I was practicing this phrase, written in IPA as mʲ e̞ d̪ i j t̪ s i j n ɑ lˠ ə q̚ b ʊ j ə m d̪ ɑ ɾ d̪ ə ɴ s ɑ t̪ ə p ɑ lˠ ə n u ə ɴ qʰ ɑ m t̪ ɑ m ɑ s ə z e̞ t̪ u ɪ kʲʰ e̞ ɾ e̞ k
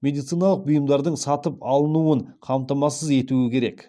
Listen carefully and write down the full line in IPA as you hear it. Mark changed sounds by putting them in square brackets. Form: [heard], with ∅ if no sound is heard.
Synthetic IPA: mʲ e̞ d̪ i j t̪ s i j n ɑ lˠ ə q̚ b ʊ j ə m d̪ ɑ ɾ d̪ ə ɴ s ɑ t̪ ə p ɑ lˠ ə n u ə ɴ qʰ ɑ m t̪ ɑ m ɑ s ə z e̞ t̪ u ɪ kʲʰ e̞ ɾ e̞ k